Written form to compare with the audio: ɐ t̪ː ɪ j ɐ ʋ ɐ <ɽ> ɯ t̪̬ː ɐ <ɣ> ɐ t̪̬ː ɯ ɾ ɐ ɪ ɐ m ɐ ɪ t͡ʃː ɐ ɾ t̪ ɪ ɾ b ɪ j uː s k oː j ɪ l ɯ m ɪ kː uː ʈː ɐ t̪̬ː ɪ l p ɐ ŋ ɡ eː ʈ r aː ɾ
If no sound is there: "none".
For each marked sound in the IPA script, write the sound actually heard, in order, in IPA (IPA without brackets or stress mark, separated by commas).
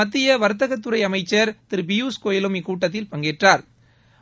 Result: ɾ, ɣ